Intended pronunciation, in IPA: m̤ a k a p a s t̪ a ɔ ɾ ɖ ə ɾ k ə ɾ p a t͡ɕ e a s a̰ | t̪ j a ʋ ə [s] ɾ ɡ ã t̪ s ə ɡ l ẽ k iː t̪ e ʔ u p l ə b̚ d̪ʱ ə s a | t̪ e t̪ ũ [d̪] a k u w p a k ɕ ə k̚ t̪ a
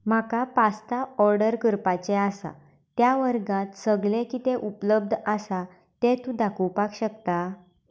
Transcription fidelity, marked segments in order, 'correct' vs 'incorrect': incorrect, correct

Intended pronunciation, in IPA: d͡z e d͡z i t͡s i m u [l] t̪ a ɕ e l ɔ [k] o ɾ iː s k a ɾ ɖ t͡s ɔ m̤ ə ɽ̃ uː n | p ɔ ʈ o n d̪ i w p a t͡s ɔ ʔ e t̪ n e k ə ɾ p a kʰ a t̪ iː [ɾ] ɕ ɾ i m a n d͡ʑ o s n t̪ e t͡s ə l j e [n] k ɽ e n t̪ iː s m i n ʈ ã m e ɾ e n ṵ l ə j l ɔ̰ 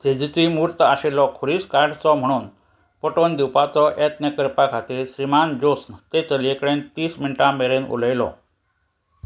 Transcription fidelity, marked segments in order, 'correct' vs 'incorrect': incorrect, incorrect, correct, incorrect

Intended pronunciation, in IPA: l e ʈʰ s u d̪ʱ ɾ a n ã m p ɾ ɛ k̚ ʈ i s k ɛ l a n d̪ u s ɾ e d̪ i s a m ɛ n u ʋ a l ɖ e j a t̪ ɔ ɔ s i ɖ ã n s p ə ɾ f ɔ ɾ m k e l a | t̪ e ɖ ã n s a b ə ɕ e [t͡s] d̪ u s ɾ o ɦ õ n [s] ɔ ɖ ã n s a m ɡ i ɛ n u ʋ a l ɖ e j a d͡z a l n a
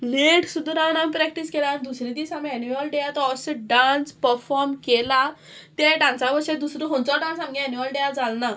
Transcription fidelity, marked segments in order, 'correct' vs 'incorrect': incorrect, incorrect

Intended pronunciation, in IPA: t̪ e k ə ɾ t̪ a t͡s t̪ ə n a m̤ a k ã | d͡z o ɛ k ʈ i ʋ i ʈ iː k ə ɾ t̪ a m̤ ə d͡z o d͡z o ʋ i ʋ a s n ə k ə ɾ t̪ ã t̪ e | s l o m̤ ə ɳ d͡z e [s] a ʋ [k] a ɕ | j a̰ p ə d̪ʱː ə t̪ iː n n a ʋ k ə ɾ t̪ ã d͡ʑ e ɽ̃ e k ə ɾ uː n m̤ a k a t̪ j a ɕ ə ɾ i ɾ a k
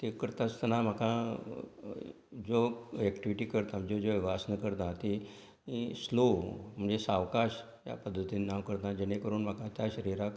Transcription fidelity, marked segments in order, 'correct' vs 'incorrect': correct, correct

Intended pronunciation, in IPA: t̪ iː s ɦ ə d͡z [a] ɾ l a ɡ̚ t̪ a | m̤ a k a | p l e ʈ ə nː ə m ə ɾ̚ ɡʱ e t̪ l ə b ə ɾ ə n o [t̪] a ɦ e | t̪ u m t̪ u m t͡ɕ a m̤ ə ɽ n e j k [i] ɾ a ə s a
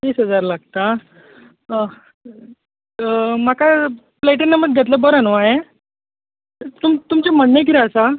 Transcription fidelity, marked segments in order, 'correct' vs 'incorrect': correct, incorrect, correct

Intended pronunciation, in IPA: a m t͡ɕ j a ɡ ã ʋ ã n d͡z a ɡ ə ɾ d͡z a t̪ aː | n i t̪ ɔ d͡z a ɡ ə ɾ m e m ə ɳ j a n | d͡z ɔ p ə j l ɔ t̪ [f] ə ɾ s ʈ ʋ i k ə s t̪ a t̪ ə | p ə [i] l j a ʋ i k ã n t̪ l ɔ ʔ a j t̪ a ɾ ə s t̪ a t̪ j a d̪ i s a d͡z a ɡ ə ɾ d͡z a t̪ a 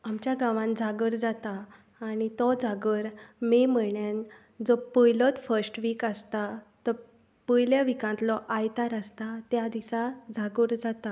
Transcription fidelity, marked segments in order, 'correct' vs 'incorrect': correct, incorrect

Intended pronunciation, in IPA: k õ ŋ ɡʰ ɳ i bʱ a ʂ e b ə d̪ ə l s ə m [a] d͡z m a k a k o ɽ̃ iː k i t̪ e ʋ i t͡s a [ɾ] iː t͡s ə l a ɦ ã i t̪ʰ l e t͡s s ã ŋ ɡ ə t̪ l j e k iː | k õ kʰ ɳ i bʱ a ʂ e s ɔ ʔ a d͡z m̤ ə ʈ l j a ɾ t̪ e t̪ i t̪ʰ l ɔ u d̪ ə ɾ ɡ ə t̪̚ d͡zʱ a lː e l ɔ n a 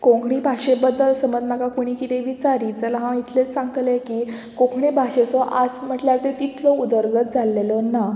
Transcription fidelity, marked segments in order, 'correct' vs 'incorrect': incorrect, correct

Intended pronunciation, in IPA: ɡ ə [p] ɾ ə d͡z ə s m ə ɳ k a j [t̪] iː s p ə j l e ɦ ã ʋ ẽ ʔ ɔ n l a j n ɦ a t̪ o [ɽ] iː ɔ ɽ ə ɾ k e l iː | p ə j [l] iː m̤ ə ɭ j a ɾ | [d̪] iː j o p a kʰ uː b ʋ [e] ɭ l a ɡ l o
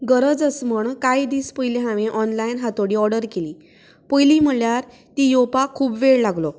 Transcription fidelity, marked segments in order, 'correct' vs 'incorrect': incorrect, incorrect, correct, correct, incorrect, correct

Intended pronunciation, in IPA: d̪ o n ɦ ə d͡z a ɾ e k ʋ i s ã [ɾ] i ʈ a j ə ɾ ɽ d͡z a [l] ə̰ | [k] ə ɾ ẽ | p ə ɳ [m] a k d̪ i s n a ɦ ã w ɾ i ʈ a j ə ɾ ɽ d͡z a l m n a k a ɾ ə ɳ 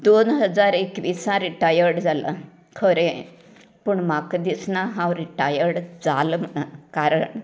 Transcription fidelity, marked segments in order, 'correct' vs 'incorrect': correct, correct, incorrect, correct

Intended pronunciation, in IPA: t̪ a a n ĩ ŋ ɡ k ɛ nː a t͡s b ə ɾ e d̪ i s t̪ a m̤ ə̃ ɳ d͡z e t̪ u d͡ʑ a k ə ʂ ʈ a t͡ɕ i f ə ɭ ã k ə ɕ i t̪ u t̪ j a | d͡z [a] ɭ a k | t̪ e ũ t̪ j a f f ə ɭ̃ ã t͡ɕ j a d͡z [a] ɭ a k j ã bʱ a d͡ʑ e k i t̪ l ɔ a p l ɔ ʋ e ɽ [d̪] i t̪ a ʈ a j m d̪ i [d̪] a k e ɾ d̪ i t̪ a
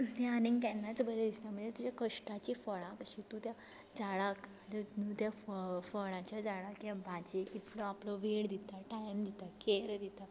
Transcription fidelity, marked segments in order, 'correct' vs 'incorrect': correct, correct, correct, incorrect

